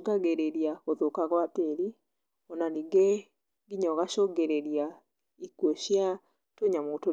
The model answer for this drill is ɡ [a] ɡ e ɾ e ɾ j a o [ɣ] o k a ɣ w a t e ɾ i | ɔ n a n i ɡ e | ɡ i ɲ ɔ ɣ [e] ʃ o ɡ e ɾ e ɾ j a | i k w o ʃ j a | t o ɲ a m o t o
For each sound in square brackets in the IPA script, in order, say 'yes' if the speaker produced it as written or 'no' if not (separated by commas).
yes, no, no